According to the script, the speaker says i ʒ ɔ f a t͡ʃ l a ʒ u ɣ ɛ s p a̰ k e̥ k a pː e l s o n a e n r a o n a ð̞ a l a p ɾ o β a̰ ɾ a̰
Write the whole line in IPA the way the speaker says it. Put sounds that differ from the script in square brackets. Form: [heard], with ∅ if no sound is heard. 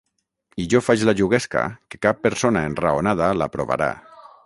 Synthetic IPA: i ʒ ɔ f a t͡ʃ l a ʒ u ɣ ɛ s [k] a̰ k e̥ k a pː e [ɾ] s o n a e n r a o n a ð̞ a l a p ɾ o β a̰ ɾ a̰